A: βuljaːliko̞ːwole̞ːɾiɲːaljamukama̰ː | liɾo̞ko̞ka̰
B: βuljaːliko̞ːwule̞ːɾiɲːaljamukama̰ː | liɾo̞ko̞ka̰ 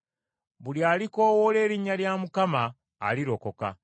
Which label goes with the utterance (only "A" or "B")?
A